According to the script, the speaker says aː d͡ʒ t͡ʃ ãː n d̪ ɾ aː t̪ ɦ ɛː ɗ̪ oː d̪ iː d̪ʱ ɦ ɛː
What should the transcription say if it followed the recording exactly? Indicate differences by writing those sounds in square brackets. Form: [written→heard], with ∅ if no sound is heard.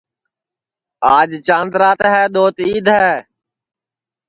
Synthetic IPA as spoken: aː d͡ʒ t͡ʃ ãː n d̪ ɾ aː t̪ ɦ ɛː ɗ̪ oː [d̪→t̪] iː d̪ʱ ɦ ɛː